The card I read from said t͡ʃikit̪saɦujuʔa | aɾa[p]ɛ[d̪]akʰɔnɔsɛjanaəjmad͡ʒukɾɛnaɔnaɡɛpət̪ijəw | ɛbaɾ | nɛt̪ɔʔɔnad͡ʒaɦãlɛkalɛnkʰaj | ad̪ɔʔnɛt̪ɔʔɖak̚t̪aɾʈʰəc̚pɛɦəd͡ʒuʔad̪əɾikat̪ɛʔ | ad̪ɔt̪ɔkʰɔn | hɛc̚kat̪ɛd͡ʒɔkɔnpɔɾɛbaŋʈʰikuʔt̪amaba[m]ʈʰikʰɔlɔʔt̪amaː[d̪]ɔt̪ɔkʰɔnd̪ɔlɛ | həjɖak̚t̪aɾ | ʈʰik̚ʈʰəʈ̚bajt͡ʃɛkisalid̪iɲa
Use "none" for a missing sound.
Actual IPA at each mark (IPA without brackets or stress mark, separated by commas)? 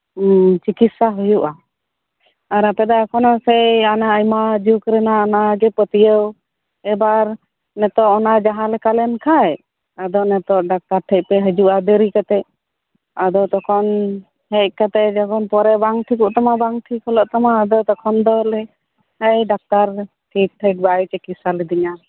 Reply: p, d̪, ŋ, d̪